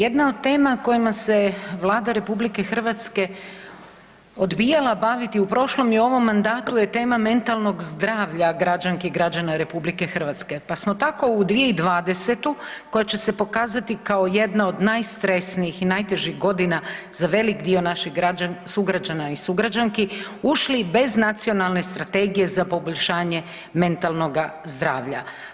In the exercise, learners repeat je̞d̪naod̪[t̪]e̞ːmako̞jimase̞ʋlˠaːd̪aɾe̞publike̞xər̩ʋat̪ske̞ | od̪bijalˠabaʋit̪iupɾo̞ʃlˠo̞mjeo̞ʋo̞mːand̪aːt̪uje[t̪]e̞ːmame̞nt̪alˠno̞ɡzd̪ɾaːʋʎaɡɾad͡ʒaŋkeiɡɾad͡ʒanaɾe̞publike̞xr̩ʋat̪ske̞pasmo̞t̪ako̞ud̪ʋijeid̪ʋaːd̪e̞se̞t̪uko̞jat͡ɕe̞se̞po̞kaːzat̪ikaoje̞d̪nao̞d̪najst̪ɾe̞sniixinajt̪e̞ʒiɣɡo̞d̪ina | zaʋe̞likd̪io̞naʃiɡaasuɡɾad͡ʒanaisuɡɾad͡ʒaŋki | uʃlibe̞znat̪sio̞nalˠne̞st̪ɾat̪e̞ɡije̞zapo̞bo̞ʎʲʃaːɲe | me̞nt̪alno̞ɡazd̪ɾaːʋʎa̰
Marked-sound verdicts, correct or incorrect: correct, correct

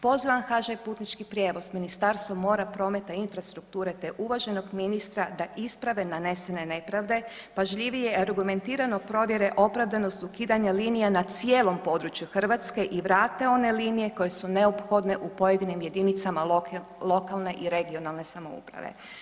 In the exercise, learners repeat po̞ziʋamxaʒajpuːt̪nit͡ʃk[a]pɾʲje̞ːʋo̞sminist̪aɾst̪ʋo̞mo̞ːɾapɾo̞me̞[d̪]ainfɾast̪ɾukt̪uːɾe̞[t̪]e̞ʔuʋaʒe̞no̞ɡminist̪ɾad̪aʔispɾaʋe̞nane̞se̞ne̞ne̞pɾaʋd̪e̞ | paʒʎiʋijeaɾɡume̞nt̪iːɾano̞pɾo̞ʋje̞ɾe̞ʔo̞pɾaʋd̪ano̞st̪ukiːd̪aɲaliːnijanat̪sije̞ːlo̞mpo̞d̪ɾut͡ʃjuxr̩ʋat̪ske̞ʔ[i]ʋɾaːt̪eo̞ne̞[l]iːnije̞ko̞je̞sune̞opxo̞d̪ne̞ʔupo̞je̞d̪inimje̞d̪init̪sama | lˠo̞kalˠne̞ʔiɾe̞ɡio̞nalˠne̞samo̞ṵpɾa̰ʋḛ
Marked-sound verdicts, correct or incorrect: incorrect: i, incorrect: t̪, correct, correct, correct

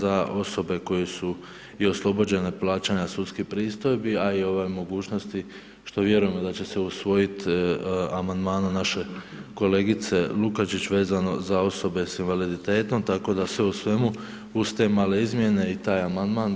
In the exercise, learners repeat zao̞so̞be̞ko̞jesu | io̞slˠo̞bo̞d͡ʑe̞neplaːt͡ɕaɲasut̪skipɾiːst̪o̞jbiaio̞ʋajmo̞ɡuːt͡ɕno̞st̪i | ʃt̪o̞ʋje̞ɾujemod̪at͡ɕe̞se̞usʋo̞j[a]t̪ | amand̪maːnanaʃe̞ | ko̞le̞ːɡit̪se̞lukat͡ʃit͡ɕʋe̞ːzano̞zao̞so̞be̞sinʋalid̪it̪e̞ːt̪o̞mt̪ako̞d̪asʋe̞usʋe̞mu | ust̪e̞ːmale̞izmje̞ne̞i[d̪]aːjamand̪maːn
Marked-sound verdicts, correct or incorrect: incorrect: i, incorrect: t̪

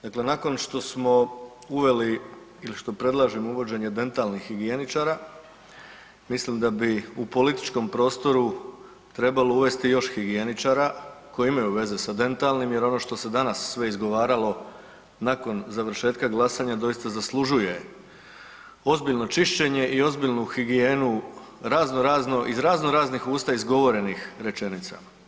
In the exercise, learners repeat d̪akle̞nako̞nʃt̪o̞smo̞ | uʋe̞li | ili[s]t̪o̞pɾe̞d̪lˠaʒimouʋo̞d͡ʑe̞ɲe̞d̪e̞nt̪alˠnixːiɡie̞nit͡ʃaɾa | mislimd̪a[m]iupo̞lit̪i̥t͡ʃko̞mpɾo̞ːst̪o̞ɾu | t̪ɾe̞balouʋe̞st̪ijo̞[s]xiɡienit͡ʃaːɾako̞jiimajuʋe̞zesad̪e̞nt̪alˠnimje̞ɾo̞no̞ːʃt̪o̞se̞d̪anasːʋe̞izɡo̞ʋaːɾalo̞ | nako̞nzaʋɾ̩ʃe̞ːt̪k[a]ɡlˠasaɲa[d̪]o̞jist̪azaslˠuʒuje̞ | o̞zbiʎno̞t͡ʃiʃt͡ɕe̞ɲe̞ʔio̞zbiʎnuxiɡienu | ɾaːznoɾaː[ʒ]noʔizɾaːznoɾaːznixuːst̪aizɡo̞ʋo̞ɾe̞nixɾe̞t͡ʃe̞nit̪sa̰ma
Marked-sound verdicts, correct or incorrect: incorrect: ʃ, incorrect: b, incorrect: ʃ, correct, correct, incorrect: z

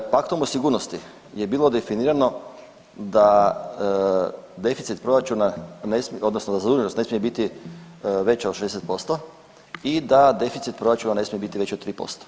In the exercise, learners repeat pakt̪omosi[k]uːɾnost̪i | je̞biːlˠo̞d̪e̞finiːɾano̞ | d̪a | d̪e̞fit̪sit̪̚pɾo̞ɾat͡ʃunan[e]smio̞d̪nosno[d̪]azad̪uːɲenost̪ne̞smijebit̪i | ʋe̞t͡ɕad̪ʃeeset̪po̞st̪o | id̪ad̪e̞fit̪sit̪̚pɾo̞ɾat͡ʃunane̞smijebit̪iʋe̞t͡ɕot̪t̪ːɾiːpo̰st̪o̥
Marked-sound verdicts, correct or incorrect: incorrect: ɡ, correct, correct

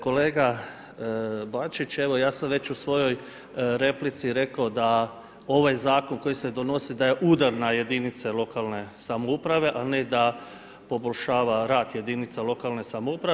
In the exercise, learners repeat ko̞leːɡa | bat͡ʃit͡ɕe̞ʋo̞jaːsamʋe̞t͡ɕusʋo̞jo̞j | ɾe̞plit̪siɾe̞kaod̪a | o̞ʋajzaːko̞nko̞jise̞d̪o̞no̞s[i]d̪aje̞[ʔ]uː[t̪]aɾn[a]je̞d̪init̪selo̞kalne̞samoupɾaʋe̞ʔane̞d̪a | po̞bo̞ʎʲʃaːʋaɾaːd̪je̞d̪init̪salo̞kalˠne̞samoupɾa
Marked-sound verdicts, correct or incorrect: correct, correct, incorrect: d̪, correct

